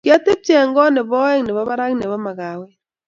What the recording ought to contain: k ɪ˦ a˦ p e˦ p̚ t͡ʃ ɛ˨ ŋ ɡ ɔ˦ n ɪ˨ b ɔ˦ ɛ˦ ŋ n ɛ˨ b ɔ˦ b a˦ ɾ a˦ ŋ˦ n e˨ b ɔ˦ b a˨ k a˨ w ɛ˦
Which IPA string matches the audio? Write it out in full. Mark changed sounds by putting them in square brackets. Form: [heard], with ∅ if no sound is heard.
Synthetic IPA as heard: k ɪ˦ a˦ [t] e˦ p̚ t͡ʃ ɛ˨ ŋ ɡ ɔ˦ n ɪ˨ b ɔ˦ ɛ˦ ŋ n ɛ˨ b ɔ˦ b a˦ ɾ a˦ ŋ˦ n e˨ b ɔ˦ [m] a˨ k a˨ w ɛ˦

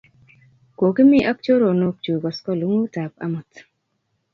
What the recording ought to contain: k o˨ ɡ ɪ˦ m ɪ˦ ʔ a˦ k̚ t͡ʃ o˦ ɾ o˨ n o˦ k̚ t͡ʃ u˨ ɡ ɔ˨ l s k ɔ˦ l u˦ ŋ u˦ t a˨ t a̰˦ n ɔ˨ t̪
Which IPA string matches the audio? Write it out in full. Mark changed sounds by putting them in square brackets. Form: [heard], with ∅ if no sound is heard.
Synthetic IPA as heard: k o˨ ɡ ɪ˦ m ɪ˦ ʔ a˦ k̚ t͡ʃ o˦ ɾ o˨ n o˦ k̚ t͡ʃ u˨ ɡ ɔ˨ [∅] s k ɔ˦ l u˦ ŋ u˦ t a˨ [p] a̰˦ [m] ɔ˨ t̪

